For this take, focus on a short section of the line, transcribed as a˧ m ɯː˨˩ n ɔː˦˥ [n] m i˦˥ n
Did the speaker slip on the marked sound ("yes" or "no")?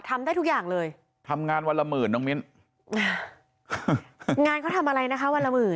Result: yes